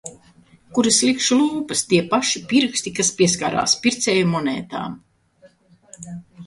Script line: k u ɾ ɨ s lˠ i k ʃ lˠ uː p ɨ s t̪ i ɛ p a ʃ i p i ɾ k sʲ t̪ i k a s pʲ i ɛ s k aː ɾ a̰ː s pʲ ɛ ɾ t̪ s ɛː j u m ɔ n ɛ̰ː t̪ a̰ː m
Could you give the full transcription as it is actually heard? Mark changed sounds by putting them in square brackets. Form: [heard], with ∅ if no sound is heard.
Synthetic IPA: k u ɾ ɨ s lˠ i k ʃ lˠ uː p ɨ s t̪ i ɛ p a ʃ i p i ɾ k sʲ t̪ i k a s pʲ i ɛ s k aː ɾ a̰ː s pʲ [i] ɾ t̪ s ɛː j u m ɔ n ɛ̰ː t̪ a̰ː m